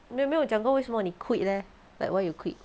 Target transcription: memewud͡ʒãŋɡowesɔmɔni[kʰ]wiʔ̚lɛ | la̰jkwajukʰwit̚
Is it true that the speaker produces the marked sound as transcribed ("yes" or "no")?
yes